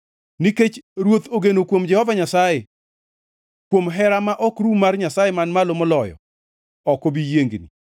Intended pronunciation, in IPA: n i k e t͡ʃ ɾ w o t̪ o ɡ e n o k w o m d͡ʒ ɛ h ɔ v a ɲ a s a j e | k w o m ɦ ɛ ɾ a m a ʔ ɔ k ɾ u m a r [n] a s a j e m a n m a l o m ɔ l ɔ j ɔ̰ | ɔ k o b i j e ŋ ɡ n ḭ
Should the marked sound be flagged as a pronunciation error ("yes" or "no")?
yes